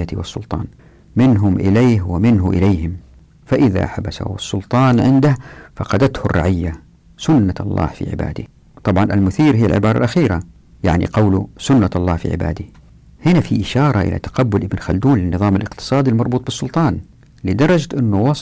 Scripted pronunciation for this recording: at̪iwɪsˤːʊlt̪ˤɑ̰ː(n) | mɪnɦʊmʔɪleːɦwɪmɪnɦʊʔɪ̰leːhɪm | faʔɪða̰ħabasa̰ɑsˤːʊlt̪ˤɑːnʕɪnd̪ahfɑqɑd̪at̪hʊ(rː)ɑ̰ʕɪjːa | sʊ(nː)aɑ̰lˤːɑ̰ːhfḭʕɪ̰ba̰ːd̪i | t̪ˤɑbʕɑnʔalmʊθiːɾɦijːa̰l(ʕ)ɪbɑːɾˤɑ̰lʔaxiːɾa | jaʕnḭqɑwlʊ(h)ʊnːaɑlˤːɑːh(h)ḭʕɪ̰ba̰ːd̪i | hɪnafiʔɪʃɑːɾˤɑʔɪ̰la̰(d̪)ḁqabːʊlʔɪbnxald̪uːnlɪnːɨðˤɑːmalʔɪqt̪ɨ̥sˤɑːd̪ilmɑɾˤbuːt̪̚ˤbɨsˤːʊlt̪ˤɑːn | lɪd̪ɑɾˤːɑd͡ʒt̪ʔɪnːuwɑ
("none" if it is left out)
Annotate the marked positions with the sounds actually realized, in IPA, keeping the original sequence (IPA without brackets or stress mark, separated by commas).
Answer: n, rː, nː, ʕ, s, f, t̪